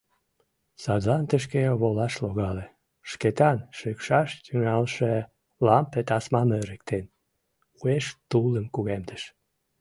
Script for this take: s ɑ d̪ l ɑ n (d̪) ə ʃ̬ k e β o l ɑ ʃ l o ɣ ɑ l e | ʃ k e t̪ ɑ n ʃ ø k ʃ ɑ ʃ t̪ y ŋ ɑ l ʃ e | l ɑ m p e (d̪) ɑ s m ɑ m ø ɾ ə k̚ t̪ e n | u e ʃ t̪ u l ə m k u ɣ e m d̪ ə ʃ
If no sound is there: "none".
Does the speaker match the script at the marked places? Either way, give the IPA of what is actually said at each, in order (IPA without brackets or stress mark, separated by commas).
t̪, t̪